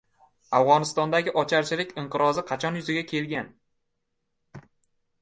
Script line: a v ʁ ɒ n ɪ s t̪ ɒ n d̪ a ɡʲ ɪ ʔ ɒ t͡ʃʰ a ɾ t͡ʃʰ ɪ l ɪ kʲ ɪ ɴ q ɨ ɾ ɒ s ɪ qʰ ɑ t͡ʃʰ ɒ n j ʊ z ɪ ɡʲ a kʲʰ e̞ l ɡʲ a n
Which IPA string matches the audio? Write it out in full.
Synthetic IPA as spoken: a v ʁ ɒ n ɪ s t̪ ɒ n d̪ a ɡʲ ɪ ʔ ɒ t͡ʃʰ a ɾ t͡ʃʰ ɪ l ɪ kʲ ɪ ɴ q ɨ ɾ ɒ z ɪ qʰ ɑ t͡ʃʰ ɒ n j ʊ z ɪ ɡʲ a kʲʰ e̞ l ɡʲ a n